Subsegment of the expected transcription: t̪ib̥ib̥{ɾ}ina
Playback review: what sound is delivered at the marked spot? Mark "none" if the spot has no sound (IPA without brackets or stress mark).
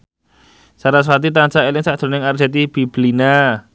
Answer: l